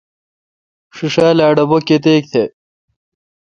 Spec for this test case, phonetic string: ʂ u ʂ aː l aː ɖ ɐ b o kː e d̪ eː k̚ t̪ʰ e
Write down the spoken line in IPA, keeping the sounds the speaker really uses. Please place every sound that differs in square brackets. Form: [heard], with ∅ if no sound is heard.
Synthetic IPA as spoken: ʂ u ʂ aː l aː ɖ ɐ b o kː e [t̪] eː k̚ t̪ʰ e